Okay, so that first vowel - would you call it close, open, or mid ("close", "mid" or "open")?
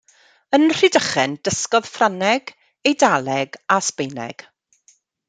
mid